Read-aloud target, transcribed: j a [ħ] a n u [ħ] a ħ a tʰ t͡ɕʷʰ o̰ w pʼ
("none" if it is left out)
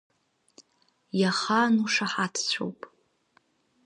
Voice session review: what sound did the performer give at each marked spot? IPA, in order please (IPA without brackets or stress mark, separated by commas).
χ, ʂ